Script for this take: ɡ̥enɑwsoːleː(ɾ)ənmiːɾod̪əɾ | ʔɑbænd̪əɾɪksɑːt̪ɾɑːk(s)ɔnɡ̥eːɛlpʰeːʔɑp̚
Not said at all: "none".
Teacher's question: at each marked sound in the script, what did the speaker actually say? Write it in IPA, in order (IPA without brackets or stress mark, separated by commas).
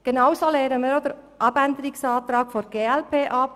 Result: ɾ, f